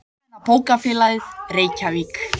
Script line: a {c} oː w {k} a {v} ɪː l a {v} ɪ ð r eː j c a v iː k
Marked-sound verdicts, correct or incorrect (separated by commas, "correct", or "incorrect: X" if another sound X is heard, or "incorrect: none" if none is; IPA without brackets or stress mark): incorrect: p, correct, incorrect: f, incorrect: ð